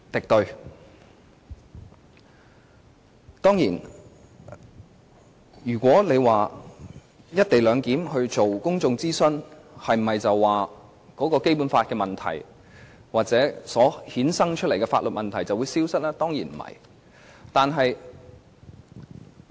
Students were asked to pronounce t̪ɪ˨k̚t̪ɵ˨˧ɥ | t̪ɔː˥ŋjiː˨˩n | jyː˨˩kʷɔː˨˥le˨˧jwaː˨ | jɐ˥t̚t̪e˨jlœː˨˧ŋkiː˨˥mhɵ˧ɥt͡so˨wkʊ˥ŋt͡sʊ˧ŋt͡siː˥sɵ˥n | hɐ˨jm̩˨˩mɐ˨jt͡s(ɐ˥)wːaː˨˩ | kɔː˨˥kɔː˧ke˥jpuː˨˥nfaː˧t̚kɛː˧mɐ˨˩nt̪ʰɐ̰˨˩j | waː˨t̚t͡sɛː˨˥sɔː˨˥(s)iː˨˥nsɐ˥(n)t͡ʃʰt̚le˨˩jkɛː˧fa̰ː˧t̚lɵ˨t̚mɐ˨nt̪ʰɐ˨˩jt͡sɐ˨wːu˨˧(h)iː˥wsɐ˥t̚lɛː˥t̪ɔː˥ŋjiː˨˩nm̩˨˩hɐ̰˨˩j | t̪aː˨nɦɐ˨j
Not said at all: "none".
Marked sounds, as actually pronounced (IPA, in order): ɐ˨, h, ŋ, s

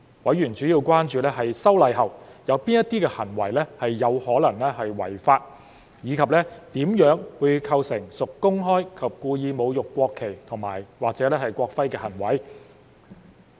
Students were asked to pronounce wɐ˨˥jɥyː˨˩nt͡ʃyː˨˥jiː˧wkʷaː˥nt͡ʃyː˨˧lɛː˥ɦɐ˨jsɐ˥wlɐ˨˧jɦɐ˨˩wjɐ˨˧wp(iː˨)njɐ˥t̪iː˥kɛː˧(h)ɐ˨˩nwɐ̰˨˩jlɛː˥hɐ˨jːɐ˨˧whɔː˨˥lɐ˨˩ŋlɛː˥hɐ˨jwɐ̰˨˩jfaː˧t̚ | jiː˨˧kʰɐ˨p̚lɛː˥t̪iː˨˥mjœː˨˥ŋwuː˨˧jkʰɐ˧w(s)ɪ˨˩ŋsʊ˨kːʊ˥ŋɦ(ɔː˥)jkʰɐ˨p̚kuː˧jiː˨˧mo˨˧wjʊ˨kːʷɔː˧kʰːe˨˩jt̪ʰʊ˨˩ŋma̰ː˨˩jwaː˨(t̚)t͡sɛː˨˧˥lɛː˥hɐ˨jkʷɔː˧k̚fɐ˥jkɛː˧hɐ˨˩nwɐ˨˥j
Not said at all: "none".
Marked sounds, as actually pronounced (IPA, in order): iː˥, h, s, ɔː˥, k̚

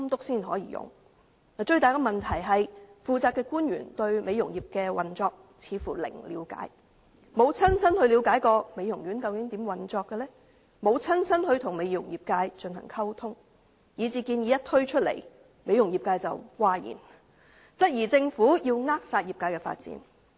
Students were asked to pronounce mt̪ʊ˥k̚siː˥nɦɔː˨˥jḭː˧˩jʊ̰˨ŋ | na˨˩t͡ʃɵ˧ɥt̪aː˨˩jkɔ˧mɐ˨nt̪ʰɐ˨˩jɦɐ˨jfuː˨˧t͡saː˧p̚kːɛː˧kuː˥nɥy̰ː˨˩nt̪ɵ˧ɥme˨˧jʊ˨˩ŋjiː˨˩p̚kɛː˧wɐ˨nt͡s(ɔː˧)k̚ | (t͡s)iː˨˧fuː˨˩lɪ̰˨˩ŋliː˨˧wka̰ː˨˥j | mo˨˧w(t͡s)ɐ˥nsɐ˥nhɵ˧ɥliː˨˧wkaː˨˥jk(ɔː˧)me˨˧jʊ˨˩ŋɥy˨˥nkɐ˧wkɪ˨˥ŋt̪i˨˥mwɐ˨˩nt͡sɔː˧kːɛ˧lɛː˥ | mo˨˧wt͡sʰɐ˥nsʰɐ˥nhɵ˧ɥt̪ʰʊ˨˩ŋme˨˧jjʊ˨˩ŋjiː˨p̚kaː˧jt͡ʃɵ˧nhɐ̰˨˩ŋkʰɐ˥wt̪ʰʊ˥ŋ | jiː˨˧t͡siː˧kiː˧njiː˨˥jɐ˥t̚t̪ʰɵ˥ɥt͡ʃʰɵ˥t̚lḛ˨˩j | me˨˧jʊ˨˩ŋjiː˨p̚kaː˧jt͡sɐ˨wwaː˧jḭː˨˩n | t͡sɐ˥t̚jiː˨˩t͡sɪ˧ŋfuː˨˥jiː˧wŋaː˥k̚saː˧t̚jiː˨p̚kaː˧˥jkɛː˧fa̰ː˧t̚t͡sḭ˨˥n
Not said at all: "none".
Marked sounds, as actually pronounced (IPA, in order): ɔː˧, t͡sʰ, t͡sʰ, ɔː˧

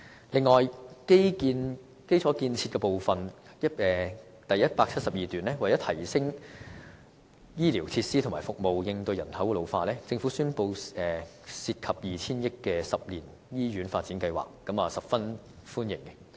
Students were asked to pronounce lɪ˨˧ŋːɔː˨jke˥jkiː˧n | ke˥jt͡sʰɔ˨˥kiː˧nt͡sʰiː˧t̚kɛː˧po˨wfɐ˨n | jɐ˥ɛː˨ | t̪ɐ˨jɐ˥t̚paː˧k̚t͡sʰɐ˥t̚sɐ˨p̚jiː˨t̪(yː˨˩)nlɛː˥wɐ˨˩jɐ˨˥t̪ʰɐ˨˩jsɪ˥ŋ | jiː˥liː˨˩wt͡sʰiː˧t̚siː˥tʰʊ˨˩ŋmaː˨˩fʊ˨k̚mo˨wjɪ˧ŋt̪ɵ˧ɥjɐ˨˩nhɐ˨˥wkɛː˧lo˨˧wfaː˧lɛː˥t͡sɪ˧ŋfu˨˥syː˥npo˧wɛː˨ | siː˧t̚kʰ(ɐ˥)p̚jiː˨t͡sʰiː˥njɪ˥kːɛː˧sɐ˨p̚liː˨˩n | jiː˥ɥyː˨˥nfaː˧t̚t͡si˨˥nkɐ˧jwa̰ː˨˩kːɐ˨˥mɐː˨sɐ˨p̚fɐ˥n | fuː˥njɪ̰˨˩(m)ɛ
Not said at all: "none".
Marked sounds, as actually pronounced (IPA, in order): yː˨˩, ɐ˨, ŋ

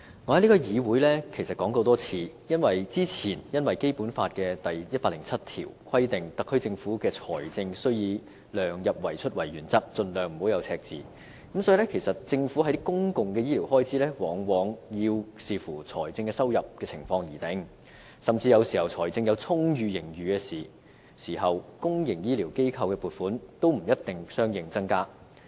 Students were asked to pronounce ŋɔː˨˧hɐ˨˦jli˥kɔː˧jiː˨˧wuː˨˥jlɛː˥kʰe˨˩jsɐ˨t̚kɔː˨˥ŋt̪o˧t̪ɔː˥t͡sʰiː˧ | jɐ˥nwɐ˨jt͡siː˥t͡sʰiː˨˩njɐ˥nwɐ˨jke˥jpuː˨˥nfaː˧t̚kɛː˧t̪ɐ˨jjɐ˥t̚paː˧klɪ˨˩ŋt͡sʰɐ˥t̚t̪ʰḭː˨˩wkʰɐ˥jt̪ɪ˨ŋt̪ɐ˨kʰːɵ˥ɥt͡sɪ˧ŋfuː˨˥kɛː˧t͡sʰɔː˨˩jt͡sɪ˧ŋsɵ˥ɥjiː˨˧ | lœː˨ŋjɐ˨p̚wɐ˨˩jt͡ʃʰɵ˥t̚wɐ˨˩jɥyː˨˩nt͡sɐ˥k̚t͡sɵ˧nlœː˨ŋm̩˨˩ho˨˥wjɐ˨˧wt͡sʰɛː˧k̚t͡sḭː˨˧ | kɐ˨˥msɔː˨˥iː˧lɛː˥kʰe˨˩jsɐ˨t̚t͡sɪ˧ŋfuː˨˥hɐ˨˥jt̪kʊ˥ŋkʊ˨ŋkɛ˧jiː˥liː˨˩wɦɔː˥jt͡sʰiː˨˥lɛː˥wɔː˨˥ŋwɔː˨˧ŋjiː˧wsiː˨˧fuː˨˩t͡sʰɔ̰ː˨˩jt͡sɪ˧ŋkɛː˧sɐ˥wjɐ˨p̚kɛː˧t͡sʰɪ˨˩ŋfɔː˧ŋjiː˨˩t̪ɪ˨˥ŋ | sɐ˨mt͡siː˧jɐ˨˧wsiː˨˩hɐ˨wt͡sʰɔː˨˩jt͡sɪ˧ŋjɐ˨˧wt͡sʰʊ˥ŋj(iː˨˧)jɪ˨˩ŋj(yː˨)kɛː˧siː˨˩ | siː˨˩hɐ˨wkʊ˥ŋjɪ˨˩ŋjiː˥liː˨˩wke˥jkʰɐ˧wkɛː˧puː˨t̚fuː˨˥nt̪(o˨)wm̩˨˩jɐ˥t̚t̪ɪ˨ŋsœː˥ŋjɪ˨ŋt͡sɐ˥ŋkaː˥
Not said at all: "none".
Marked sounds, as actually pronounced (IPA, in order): yː˨˧, yː˨, o˥

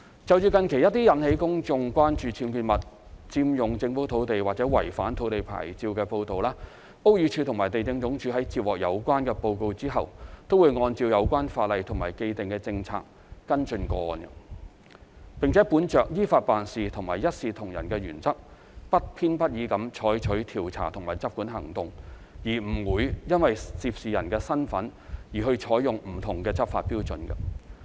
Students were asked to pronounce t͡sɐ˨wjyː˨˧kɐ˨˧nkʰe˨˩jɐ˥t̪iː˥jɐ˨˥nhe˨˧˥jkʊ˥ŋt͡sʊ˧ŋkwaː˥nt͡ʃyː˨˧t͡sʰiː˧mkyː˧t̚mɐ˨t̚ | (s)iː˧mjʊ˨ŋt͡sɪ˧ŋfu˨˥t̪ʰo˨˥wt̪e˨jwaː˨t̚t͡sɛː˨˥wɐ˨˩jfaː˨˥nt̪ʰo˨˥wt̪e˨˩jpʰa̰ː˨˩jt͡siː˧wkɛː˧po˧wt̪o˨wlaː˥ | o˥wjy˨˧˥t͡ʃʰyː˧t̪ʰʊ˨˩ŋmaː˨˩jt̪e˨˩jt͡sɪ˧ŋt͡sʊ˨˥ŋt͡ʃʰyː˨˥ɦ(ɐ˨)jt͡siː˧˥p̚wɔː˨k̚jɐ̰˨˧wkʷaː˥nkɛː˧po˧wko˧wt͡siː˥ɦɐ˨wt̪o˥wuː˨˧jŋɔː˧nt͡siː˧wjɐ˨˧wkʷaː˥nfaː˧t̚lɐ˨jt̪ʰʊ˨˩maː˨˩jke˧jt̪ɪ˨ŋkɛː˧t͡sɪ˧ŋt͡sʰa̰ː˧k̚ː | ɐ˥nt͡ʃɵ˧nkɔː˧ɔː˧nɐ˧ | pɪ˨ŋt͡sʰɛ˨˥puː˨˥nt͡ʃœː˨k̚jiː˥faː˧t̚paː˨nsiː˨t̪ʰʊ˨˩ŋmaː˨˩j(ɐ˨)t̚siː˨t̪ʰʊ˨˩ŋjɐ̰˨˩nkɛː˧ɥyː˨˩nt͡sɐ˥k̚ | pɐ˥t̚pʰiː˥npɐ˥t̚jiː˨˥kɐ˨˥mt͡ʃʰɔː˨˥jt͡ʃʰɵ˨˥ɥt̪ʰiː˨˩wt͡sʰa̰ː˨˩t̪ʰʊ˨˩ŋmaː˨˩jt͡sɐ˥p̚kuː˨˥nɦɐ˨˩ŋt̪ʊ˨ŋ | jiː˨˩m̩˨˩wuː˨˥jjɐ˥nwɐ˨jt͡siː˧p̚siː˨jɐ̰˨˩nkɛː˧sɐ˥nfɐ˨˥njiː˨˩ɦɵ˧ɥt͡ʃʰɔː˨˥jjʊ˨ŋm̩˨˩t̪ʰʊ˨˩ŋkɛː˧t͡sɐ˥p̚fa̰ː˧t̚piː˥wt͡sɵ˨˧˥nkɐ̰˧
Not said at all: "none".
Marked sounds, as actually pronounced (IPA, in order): t͡s, ɐ˨˥, ɐ˥

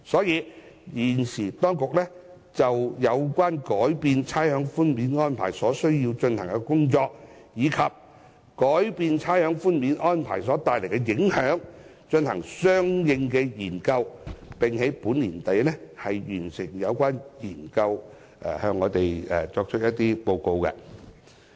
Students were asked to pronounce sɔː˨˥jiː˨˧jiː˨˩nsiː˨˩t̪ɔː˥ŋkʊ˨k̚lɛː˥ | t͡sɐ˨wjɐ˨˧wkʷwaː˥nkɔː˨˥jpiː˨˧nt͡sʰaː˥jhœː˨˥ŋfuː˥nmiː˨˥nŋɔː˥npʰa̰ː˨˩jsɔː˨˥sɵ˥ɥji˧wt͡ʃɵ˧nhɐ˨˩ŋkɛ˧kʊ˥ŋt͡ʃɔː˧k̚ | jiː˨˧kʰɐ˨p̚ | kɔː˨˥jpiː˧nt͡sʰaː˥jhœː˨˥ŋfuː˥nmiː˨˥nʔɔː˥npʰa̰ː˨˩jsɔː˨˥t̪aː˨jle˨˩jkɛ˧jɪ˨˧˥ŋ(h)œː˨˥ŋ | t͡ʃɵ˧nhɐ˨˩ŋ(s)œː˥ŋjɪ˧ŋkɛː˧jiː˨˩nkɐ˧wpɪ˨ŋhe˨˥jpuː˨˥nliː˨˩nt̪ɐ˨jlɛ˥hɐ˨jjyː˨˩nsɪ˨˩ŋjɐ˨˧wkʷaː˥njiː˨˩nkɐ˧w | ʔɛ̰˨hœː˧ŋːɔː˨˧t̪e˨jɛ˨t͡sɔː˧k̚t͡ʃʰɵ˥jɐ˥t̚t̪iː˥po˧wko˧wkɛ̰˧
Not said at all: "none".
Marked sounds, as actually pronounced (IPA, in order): h, s

